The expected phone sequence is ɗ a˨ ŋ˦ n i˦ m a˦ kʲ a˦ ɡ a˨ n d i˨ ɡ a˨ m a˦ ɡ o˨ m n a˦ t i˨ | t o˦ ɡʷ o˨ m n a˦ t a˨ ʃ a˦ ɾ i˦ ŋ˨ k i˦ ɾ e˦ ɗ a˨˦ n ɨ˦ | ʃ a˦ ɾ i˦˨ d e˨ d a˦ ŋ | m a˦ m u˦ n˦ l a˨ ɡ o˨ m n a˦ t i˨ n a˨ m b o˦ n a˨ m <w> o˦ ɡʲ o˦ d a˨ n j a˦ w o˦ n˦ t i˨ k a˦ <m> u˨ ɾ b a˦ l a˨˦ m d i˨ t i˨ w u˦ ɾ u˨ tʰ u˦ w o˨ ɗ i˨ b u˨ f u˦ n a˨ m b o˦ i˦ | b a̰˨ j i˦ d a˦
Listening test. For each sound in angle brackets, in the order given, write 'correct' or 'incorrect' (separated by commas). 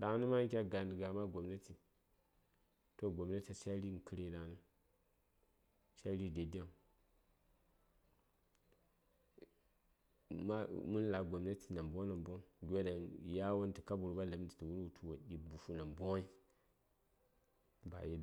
incorrect, incorrect